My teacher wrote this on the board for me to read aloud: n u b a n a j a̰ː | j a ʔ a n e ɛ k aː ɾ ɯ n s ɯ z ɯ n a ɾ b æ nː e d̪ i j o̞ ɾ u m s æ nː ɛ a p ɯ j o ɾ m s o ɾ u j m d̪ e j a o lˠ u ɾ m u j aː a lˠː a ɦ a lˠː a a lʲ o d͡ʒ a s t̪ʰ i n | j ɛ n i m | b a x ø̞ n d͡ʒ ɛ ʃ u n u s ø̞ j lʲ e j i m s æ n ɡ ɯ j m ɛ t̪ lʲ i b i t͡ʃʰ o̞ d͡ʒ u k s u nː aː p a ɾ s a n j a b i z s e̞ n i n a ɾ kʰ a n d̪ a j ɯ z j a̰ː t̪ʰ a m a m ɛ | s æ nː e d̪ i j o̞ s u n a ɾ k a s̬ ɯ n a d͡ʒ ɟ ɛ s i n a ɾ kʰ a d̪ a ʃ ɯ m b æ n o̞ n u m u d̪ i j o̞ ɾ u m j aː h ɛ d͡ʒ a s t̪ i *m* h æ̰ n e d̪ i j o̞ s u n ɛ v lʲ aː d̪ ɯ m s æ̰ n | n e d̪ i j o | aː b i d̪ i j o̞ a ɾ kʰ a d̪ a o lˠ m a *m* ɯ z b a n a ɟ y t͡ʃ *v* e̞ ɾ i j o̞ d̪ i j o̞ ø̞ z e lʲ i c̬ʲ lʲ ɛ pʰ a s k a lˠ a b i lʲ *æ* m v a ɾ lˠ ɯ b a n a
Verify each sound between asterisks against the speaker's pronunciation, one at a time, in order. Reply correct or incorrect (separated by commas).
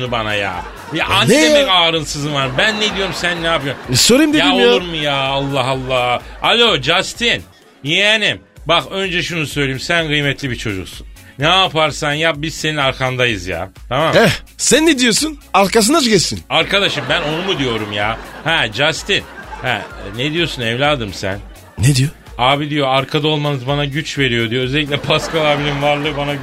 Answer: incorrect, incorrect, correct, incorrect